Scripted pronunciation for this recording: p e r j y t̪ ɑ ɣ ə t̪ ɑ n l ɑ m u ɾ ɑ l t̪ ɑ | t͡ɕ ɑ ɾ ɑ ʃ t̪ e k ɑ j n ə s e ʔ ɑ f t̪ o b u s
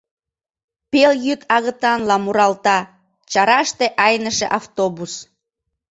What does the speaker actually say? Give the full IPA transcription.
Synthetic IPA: p e l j y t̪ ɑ ɣ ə t̪ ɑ n l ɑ m u ɾ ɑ l t̪ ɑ | t͡ɕ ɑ ɾ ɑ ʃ t̪ e ʔ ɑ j n ə ʃ e ʔ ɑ f t̪ o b u s